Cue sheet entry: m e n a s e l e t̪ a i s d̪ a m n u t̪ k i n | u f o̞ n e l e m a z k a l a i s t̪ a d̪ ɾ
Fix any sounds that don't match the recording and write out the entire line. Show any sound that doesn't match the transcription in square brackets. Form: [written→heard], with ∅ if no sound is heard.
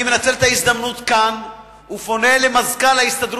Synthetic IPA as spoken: m e n a [s→t͡s] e l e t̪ a i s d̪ a m n u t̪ k [i→a] n | u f o̞ n e l e m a z k a l a i s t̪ a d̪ ɾ